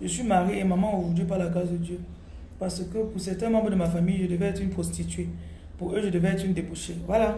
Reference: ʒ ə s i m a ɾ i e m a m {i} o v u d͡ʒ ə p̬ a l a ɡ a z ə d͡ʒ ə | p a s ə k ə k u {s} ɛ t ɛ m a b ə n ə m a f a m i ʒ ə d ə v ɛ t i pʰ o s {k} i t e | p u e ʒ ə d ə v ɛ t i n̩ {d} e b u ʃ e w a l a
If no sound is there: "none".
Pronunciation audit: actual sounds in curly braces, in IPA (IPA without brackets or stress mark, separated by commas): a, s, t, d